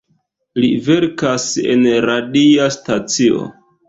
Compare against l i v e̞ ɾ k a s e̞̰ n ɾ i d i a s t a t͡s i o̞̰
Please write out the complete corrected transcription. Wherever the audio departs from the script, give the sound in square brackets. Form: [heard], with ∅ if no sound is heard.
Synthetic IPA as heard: l i v e̞ ɾ k a s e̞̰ n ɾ [a] d i a s t a t͡s i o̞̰